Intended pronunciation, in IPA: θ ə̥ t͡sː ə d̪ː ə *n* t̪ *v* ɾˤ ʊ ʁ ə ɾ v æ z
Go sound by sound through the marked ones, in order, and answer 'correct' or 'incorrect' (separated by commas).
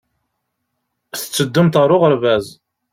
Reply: incorrect, incorrect